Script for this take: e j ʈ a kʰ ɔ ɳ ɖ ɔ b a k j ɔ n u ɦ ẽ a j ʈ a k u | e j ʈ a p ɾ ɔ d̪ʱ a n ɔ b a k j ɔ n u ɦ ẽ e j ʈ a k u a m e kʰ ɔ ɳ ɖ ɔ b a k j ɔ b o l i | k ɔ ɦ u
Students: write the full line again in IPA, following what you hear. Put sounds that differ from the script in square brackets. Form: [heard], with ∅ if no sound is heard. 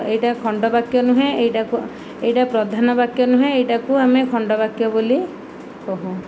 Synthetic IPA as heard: e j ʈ a kʰ ɔ ɳ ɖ ɔ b a k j ɔ n u ɦ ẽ [e] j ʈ a k u | e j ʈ a p ɾ ɔ d̪ʱ a n ɔ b a k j ɔ n u ɦ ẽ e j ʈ a k u a m e kʰ ɔ ɳ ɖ ɔ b a k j ɔ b o l i | k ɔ ɦ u